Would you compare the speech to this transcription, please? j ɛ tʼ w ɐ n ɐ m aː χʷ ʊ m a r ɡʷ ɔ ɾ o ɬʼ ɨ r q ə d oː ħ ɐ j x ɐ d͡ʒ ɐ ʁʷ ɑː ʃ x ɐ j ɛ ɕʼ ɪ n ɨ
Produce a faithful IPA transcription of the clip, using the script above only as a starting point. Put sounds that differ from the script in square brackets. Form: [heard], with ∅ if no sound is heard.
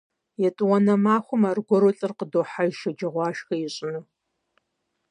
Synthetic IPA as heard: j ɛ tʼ w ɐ n ɐ m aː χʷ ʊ m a r ɡʷ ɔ ɾ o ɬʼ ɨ r q ə d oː ħ [a] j [ʃ] ɐ d͡ʒ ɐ ʁʷ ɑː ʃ x ɐ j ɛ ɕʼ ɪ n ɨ

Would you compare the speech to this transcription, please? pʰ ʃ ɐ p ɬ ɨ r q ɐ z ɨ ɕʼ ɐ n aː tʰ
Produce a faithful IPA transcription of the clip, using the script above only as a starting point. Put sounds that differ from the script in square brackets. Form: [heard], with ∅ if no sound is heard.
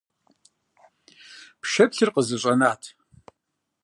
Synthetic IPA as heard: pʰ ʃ ɐ p ɬ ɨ r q [ə] z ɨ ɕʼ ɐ n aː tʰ

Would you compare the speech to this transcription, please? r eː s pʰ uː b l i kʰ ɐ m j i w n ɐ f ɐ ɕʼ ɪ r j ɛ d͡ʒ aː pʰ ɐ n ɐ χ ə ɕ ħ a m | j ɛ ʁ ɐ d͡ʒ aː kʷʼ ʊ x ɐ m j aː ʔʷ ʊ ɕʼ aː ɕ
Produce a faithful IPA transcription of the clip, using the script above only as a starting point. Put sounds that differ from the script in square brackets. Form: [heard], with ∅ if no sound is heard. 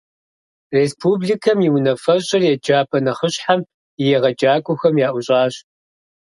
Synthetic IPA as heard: r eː s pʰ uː b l i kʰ ɐ m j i w n ɐ f ɐ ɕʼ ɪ r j ɛ d͡ʒ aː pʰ ɐ n ɐ χ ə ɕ ħ a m | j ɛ ʁ ɐ d͡ʒ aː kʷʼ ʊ x ɐ m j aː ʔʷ ʊ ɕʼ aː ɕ

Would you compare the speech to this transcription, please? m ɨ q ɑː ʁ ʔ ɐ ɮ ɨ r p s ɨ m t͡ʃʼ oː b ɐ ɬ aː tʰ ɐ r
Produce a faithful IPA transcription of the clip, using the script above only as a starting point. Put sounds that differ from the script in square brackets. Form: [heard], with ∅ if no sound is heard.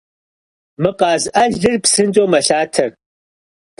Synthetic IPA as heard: m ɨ q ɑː [z] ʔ ɐ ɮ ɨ r p s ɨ [n] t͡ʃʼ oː [m] ɐ ɬ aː tʰ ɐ r

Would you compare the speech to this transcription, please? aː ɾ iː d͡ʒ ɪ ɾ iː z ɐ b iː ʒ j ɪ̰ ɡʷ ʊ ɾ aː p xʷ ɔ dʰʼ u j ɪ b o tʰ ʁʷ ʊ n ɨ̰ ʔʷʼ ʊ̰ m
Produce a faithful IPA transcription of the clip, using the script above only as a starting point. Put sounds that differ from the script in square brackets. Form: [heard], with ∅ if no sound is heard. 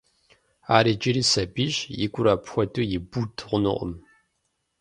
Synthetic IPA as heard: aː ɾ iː d͡ʒ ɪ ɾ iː [s] ɐ b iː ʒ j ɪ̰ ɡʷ ʊ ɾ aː p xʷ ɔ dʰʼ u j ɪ b [u] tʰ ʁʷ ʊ n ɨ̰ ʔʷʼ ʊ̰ m

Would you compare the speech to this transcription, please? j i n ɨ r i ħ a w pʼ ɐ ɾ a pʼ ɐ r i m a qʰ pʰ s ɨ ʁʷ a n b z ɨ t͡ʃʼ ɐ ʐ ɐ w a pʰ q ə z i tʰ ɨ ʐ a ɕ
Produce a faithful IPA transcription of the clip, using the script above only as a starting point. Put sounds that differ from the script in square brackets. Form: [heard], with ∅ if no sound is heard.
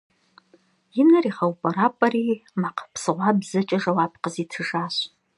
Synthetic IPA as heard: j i n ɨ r i [χ] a w pʼ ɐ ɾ a pʼ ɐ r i m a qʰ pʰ s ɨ ʁʷ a [∅] b z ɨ t͡ʃʼ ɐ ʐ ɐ w a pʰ q ə z i tʰ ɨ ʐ a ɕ

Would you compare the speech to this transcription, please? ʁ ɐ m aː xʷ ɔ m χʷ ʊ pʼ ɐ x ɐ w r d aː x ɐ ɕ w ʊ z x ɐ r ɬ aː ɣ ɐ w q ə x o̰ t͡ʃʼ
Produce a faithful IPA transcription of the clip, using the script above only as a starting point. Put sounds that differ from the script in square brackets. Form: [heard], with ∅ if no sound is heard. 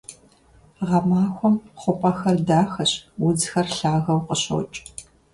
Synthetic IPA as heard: ʁ ɐ m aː xʷ ɔ m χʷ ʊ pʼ ɐ x ɐ [∅] r d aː x ɐ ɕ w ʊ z x ɐ r ɬ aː ɣ ɐ w q ə [ɕ] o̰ t͡ʃʼ

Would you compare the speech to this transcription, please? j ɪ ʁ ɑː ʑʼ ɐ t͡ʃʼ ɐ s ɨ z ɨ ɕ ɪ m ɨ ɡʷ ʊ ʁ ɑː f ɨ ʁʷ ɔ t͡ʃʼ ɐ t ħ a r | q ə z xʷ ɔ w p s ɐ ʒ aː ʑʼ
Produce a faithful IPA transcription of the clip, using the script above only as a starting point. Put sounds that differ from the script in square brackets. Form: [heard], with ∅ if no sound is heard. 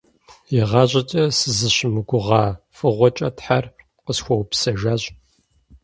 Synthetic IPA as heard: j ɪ ʁ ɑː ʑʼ ɐ t͡ʃʼ ɐ s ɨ z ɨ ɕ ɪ m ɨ ɡʷ ʊ ʁ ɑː f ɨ ʁʷ ɔ t͡ʃʼ ɐ t ħ a r | q ə [s] xʷ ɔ w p s ɐ ʒ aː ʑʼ

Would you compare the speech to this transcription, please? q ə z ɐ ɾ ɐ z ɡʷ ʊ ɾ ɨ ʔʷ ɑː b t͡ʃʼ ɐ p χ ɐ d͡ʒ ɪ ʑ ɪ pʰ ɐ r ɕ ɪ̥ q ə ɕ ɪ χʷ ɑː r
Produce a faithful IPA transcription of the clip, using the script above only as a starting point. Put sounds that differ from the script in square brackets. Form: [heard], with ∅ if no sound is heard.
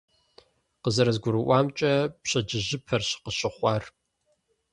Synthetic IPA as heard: q ə z ɐ ɾ ɐ z ɡʷ ʊ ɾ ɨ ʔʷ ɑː [m] t͡ʃʼ ɐ p [ɕ] ɐ d͡ʒ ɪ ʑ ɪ pʰ ɐ r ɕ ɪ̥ q ə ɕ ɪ χʷ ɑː r

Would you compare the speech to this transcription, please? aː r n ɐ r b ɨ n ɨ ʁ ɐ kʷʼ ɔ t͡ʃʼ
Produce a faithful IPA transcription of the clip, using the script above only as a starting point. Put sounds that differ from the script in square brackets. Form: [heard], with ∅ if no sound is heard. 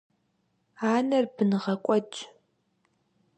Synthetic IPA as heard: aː [∅] n ɐ r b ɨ n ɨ ʁ ɐ kʷʼ ɔ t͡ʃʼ

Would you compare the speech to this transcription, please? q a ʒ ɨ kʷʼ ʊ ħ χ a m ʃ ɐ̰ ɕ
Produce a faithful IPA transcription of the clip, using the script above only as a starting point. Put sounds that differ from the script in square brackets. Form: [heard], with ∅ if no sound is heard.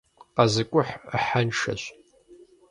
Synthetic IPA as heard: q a [z] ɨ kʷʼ ʊ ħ [ħ] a [n] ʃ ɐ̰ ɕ

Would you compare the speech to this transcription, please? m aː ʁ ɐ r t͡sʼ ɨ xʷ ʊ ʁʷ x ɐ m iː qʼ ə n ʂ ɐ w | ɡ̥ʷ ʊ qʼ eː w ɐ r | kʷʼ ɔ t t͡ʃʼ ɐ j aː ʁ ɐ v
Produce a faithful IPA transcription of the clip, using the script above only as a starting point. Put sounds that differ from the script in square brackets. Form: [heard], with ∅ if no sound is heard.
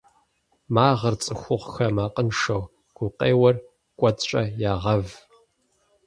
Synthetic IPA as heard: m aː ʁ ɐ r t͡sʼ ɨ xʷ ʊ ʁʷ x ɐ m [aː] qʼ ə n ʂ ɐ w | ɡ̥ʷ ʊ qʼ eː w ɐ r | kʷʼ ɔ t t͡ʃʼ ɐ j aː ʁ ɐ v

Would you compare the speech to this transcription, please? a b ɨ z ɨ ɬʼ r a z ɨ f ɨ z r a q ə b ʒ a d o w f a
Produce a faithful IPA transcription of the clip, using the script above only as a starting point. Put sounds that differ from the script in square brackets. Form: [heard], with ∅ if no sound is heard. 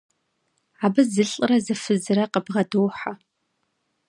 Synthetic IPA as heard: a b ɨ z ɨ ɬʼ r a z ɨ f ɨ z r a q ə b [ʁ] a d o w [ħ] a

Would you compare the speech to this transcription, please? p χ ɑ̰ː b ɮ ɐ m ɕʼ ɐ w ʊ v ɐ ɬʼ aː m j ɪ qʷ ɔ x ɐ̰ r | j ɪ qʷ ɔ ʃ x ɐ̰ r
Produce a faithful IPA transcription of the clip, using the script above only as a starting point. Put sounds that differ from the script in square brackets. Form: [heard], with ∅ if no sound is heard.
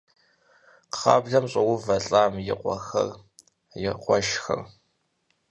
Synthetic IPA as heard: [q] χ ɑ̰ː b ɮ ɐ m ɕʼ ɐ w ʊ v ɐ ɬʼ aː m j ɪ qʷ ɔ x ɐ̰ r | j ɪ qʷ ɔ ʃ x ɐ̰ r

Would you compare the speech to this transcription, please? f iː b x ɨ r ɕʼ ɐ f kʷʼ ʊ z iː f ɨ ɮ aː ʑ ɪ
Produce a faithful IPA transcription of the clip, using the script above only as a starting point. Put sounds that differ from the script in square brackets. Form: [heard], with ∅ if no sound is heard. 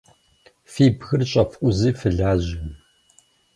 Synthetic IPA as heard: f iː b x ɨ r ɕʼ ɐ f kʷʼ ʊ z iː f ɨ ɮ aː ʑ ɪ

